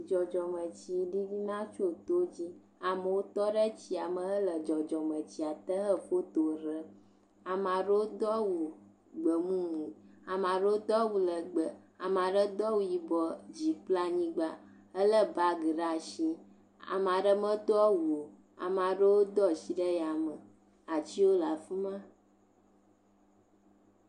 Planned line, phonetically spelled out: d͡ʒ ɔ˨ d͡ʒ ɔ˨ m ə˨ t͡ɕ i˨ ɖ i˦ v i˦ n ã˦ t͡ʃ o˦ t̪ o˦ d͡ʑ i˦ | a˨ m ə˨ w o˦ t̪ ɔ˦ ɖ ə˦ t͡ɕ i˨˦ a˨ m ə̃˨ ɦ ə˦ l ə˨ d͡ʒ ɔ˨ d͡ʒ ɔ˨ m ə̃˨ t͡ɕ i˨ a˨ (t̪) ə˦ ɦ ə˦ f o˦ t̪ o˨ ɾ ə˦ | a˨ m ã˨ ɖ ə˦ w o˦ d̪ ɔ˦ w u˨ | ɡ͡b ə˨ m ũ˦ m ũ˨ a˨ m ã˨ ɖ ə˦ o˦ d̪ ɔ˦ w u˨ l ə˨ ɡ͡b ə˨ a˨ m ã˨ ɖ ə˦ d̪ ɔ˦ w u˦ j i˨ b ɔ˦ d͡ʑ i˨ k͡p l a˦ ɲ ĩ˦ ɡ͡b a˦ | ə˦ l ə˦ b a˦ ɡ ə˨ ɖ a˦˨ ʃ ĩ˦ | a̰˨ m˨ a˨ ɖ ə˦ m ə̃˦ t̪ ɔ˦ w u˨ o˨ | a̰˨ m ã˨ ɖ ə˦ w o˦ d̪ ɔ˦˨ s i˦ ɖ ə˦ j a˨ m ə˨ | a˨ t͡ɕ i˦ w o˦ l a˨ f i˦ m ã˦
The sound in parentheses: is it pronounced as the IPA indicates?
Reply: yes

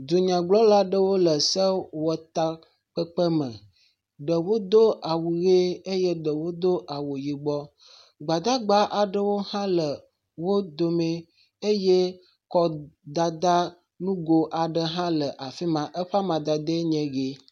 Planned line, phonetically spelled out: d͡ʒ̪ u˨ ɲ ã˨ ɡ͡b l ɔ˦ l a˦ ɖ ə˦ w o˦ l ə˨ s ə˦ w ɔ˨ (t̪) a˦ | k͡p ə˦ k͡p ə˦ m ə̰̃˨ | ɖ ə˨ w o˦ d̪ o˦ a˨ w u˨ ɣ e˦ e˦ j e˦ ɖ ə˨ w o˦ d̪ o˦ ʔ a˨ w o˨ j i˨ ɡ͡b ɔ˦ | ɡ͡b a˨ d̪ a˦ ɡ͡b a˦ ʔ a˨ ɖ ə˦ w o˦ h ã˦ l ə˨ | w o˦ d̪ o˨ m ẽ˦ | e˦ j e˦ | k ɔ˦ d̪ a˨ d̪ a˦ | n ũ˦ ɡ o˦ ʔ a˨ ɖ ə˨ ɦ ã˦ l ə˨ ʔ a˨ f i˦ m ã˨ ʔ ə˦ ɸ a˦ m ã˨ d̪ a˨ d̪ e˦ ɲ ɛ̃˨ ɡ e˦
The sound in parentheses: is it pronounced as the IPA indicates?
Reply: yes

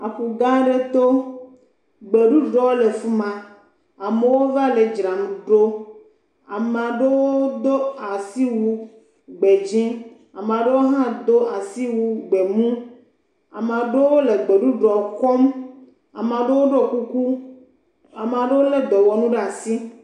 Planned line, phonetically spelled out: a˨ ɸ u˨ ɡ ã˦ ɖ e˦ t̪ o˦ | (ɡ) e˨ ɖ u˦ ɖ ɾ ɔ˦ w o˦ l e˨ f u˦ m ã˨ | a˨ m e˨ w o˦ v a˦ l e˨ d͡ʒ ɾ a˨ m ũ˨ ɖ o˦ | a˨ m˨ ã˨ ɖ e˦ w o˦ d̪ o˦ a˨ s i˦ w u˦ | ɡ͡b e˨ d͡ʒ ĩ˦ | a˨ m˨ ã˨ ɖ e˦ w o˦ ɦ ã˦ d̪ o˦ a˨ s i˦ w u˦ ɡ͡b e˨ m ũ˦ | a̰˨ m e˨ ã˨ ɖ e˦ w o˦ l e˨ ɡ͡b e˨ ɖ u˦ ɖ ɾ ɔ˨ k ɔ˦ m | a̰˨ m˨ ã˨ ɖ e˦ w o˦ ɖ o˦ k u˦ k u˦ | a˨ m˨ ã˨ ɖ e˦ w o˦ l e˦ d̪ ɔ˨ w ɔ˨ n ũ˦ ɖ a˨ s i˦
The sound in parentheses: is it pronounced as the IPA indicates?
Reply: no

